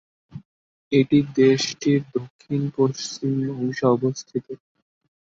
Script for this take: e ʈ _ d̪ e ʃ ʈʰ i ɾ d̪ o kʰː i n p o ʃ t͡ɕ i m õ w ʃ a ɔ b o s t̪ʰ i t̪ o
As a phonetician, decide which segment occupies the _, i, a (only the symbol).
i